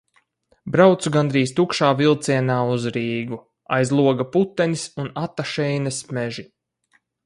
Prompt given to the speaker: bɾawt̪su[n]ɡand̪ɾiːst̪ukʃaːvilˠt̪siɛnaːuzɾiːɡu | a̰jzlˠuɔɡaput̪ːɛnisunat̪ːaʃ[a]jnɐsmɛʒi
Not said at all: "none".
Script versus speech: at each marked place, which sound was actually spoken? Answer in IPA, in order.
none, ɛ

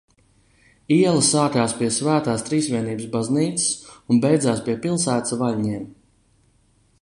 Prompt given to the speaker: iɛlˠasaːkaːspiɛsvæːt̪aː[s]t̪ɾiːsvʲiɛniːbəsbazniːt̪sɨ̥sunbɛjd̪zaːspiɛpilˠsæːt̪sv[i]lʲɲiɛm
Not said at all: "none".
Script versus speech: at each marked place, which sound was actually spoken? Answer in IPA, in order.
s, a

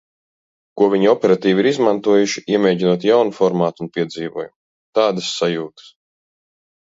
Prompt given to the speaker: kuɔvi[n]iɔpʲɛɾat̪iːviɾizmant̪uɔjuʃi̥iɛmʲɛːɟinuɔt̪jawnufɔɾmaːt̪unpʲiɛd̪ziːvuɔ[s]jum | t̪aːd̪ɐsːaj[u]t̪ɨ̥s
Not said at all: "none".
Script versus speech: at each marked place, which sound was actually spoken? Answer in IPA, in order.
ɲ, none, uː

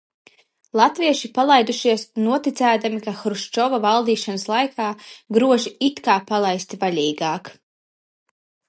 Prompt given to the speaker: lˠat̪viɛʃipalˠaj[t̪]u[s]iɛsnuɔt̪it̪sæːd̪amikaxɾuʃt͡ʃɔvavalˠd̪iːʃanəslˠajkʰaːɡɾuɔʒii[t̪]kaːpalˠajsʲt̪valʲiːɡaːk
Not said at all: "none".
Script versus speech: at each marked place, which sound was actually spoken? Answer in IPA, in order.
d̪, ʃ, t̪

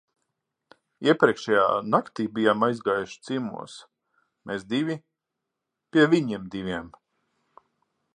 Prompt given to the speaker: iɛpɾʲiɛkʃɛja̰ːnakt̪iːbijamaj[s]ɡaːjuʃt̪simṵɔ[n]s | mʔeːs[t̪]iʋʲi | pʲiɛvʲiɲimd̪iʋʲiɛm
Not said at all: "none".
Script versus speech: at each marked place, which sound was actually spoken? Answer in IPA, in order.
z, none, d̪

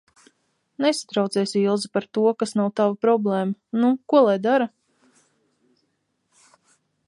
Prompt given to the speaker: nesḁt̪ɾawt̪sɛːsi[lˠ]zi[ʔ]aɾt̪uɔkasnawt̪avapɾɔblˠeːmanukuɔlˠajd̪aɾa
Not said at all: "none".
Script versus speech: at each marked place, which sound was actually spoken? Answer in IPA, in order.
lˠ, p

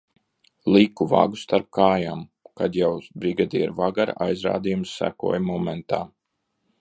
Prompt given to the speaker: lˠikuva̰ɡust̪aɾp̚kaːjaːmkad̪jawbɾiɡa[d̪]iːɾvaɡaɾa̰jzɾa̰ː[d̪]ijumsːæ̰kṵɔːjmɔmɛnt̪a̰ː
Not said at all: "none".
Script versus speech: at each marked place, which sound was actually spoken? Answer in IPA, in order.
d̪, d̪

